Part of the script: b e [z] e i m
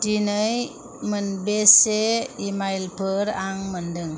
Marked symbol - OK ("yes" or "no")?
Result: no